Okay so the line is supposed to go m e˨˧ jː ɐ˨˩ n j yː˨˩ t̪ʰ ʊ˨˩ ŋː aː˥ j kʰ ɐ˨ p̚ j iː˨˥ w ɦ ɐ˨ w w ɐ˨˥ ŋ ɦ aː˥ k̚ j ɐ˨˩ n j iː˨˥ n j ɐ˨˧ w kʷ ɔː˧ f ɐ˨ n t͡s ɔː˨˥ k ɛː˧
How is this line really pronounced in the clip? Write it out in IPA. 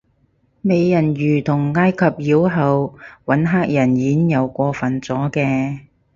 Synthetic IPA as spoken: m e˨˧ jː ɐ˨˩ n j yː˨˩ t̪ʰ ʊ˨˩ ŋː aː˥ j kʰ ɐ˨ p̚ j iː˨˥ w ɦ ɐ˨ w w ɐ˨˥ n ɦ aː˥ k̚ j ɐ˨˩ n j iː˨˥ n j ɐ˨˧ w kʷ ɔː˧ f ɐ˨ n t͡s ɔː˨˥ k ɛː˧